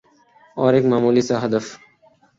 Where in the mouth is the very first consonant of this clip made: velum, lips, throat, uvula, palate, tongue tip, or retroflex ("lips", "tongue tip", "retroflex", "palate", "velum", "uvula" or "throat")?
tongue tip